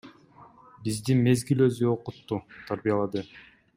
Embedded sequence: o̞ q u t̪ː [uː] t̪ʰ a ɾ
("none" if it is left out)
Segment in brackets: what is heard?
u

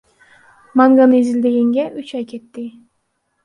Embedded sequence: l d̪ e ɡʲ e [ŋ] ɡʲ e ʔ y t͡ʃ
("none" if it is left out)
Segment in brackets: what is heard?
ŋ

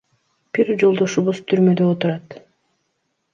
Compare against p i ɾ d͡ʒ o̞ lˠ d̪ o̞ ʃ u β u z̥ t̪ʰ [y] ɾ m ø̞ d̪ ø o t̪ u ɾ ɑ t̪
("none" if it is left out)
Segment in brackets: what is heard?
y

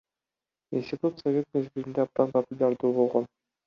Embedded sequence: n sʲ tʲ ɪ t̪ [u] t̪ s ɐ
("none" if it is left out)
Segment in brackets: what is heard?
u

